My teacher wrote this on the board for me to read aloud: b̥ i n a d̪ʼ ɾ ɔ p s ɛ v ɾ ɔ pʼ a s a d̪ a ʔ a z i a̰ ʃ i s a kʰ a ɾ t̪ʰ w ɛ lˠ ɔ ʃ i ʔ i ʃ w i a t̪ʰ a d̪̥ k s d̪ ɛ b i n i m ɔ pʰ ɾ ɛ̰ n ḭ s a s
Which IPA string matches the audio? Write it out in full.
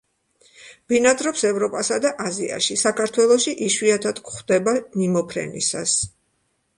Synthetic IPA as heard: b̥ i n a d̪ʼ ɾ ɔ p s ɛ v ɾ ɔ pʼ a s a d̪ a ʔ a z i a̰ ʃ i s a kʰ a ɾ t̪ʰ w ɛ lˠ ɔ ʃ i ʔ i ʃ w i a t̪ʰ a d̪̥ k χ d̪ ɛ b a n i m ɔ pʰ ɾ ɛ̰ n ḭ s a s